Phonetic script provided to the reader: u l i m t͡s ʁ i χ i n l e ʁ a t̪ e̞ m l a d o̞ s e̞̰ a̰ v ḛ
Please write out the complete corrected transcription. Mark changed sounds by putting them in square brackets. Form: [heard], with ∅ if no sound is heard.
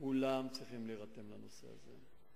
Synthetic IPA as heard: u l [a] m t͡s ʁ i χ i [m] l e ʁ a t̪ e̞ m l a [n] o̞ s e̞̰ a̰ [z] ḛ